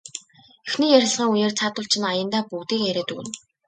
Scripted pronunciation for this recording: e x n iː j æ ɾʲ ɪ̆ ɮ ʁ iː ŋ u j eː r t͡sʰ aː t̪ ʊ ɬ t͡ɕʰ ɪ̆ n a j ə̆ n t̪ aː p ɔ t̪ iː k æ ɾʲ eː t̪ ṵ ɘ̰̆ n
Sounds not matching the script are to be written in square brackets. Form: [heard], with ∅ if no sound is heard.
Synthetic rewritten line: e x n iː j æ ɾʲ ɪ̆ ɮ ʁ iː ŋ u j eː r t͡sʰ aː t̪ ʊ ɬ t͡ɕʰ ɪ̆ n a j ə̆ n t̪ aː p [u] t̪ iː k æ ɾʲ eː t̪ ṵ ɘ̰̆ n